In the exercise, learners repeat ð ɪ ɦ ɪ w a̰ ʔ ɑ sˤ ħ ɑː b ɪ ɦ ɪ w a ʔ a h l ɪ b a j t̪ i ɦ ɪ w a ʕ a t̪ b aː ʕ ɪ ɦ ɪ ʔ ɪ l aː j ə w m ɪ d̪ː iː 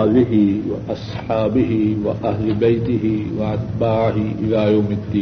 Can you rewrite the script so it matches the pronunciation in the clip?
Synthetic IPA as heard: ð ɪ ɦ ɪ w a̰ ʔ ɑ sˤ ħ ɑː b ɪ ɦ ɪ w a ʔ a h l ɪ b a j t̪ ɪ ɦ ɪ w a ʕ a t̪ b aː ʕ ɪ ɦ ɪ ʔ ɪ l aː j a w m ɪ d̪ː iː